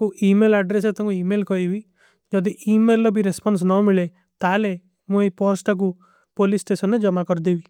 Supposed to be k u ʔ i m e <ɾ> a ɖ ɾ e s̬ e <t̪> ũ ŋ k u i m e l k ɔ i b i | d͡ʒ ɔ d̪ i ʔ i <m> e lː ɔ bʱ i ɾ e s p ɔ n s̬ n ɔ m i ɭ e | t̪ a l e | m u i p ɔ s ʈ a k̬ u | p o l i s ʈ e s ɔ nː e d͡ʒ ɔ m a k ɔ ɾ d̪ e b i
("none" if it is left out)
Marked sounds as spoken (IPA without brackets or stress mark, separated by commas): l, t̪, m